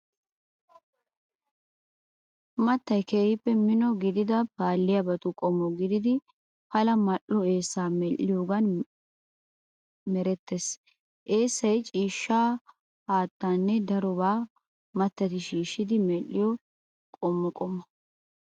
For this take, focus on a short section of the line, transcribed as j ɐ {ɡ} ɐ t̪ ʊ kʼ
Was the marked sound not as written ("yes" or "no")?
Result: yes